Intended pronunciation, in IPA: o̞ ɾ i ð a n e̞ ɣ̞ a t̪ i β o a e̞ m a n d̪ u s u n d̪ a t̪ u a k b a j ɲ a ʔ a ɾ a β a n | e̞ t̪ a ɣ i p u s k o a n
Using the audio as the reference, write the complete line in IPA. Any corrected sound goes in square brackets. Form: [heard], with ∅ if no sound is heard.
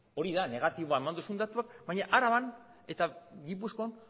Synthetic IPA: o̞ ɾ i ð a n e̞ ɣ̞ a t̪ i β o a e̞ m a n d̪ u s u n d̪ a t̪ u a k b a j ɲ a ʔ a ɾ a β a n | e̞ t̪ a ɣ i p u s k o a n